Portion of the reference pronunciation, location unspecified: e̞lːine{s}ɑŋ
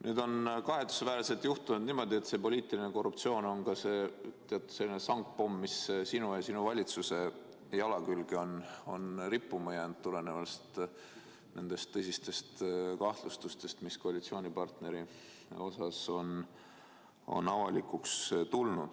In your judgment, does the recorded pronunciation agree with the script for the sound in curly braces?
yes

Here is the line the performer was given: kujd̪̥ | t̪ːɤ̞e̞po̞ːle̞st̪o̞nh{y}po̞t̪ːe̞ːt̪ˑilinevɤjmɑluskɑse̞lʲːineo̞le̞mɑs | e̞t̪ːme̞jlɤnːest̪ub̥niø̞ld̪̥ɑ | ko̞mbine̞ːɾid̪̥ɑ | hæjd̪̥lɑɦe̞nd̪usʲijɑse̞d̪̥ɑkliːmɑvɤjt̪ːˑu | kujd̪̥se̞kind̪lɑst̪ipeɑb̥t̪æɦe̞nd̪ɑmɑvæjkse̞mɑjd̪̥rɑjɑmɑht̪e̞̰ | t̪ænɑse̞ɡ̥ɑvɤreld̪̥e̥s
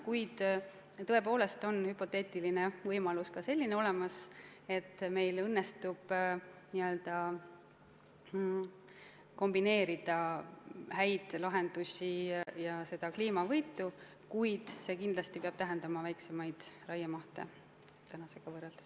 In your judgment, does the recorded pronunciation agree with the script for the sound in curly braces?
yes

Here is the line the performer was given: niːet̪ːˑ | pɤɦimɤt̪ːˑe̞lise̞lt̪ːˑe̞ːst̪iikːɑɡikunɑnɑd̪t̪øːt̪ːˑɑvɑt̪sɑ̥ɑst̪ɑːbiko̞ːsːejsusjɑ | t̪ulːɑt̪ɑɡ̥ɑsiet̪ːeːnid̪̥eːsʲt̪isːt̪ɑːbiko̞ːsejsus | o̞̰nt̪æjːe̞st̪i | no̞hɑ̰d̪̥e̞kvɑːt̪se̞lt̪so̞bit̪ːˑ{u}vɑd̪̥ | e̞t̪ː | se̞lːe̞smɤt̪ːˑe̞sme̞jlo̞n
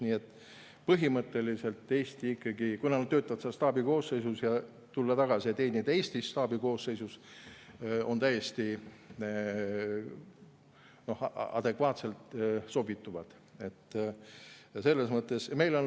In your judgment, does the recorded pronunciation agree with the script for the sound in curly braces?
yes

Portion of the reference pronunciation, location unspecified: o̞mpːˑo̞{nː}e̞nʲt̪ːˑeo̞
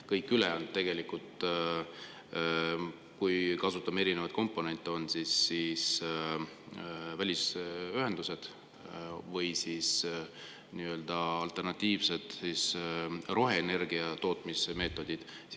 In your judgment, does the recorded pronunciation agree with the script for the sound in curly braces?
no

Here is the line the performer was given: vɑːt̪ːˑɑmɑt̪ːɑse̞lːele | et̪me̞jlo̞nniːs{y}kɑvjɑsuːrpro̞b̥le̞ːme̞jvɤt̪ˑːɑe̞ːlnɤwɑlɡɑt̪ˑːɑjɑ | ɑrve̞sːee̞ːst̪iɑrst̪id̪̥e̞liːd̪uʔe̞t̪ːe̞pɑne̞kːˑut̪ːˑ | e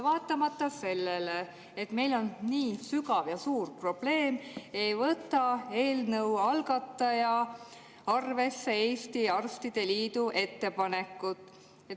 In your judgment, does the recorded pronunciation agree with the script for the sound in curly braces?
yes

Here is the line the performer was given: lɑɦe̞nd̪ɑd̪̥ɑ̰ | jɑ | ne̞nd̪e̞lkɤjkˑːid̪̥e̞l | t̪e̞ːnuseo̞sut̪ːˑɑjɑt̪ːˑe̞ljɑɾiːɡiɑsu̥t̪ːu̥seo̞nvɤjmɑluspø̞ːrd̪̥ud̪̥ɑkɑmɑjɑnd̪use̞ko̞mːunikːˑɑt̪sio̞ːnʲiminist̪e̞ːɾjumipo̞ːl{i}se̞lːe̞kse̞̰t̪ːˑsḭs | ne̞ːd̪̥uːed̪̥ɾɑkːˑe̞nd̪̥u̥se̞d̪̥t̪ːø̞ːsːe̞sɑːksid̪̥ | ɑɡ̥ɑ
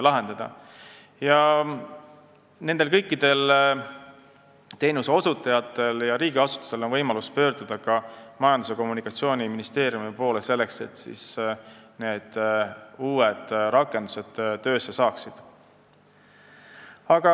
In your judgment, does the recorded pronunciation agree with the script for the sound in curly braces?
no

